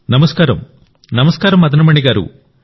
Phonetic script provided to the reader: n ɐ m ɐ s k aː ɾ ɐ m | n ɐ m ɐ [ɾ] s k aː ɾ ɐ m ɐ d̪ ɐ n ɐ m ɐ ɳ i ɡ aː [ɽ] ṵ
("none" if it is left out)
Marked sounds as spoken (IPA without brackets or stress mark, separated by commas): none, ɾ